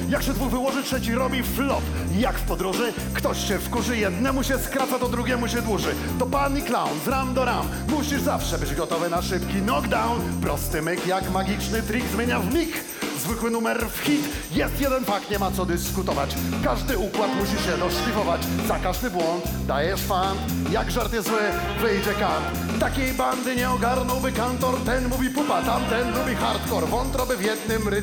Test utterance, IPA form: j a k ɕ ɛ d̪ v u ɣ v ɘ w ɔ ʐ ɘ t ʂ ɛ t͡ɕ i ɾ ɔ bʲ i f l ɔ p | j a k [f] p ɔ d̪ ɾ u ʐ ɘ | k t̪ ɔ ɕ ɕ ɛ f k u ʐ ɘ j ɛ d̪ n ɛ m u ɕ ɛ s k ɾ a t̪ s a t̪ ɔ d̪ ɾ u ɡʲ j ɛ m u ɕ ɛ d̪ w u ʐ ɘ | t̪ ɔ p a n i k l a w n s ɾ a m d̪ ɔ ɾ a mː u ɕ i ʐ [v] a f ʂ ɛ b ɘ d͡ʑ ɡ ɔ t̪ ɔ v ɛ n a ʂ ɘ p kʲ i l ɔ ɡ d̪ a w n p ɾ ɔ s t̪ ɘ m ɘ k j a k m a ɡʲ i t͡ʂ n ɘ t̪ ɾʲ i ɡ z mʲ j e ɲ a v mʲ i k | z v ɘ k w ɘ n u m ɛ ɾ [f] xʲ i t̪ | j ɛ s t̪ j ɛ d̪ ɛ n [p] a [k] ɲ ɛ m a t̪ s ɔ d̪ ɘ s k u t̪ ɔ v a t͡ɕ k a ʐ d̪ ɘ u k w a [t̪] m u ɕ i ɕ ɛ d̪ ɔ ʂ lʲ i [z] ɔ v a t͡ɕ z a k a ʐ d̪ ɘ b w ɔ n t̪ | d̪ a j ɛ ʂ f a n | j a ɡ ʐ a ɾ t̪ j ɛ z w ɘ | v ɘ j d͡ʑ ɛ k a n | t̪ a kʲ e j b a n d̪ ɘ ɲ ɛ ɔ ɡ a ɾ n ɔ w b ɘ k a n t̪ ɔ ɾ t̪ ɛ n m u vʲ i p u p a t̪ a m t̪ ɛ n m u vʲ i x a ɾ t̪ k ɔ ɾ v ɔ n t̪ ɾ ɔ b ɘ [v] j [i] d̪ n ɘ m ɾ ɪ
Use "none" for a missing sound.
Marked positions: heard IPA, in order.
f, z, f, p, k, t̪, v, v, ɛ

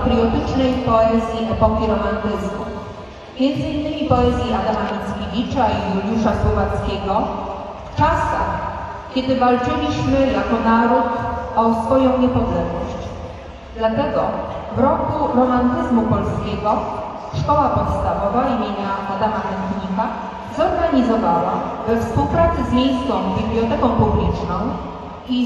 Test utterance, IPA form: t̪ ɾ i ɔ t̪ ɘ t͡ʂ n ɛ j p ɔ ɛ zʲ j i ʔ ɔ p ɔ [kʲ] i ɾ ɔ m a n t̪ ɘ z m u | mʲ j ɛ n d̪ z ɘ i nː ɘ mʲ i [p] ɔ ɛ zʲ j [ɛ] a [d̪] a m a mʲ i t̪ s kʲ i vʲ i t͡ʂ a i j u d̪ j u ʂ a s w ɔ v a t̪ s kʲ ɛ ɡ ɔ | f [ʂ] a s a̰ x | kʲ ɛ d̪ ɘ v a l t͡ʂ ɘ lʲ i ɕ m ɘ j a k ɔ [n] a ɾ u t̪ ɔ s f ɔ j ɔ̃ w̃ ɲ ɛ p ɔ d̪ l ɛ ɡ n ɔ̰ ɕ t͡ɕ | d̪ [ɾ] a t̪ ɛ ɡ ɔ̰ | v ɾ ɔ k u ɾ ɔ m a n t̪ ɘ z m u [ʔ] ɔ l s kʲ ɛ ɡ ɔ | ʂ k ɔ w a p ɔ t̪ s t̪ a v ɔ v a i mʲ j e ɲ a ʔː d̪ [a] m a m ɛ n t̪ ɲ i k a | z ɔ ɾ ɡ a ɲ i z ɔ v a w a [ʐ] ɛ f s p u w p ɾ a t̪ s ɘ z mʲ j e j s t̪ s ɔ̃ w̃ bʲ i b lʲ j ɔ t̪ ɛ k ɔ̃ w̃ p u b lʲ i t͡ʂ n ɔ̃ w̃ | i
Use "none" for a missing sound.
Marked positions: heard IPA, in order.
kʲ, p, i, d̪, t͡ʂ, n, l, p, a, v

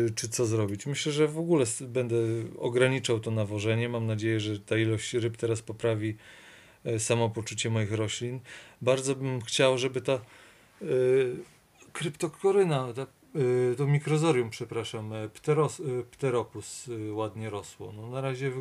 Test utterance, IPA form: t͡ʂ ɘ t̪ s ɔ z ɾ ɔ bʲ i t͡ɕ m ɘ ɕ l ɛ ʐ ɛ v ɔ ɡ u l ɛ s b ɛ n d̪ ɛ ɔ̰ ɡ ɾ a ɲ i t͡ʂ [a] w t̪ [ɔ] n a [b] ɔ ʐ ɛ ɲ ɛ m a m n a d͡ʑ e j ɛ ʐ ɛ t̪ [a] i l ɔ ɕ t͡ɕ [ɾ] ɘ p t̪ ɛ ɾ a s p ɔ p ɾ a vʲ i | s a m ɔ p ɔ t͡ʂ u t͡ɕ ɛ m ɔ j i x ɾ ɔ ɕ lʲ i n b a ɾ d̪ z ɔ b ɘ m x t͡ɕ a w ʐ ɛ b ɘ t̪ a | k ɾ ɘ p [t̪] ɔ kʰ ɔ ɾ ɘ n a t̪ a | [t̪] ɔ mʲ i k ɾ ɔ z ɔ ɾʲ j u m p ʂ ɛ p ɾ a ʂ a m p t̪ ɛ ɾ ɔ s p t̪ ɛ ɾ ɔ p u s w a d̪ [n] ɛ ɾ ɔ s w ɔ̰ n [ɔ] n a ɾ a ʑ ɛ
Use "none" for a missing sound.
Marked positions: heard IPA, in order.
a, ɔ, v, a, ɾ, t̪, t̪, ɲ, ɔ

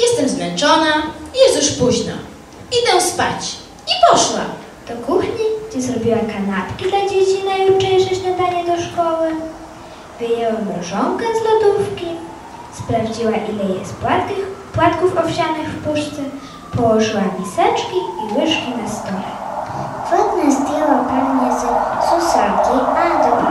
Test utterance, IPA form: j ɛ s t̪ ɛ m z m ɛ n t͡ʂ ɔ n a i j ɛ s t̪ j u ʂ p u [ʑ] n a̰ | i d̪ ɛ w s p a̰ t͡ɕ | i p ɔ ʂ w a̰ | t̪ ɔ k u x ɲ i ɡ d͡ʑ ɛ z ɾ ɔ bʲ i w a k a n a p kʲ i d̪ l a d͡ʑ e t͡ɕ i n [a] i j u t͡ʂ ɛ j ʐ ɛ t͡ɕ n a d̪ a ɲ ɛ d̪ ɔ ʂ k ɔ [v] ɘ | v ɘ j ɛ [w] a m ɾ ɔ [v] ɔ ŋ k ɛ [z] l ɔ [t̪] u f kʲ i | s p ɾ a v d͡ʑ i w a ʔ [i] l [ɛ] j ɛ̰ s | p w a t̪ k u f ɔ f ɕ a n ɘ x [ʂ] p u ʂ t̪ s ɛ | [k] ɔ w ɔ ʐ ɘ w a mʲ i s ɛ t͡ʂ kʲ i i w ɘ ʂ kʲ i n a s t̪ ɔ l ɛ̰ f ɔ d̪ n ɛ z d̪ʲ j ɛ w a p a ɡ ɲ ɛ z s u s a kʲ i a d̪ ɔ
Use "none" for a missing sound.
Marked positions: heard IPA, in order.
ʑ, a, w, w, ʐ, z, d̪, i, ɛ, f, p

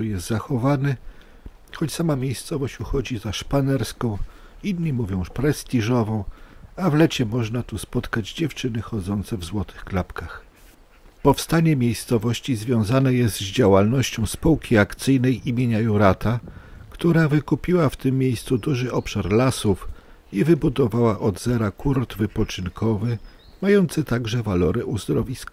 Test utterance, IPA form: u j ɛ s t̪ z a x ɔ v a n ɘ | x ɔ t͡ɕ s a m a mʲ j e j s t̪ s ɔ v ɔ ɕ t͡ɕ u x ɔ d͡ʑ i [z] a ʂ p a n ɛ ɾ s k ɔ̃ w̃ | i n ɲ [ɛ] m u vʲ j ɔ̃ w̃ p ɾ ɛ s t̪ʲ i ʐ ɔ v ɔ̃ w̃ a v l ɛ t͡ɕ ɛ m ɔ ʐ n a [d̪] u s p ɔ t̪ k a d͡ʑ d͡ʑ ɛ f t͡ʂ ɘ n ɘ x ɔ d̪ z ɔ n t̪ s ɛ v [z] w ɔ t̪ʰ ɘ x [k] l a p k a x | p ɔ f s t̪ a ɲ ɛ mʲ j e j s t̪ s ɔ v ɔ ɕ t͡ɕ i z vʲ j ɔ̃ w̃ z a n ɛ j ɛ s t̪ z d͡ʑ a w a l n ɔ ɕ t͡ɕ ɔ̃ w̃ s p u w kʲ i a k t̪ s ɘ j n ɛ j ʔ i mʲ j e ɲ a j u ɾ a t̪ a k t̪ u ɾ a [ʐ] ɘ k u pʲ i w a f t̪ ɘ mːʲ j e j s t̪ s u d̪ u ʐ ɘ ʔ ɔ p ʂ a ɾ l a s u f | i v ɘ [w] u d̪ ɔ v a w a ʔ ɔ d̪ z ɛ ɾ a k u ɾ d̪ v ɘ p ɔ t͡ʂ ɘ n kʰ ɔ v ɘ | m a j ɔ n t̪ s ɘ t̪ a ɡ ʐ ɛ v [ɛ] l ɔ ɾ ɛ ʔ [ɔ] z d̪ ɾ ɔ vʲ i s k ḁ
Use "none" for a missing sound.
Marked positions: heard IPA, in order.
z, i, t̪, z, k, v, b, a, u

